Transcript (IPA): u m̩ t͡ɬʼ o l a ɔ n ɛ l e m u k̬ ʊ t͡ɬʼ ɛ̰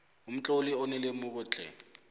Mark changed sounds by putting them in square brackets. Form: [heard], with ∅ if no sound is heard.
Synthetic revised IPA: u m̩ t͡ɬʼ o l [i] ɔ n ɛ l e m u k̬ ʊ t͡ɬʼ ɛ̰